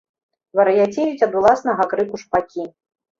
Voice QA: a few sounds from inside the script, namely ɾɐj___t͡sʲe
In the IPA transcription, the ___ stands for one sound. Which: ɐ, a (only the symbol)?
a